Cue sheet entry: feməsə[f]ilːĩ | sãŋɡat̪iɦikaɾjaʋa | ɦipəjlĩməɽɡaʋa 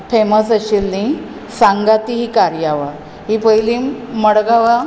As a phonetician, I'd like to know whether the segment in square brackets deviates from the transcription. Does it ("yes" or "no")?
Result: yes